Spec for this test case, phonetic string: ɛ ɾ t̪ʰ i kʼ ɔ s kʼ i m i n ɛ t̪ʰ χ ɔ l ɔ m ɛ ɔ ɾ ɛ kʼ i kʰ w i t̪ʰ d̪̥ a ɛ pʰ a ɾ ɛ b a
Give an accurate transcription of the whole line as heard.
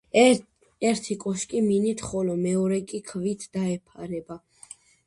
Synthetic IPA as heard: ɛ ɾ t̪ʰ i kʼ ɔ ʃ kʼ i m i n i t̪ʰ χ ɔ l ɔ m ɛ ɔ ɾ ɛ kʼ i kʰ v i t̪ʰ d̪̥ a ɛ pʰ a ɾ ɛ b a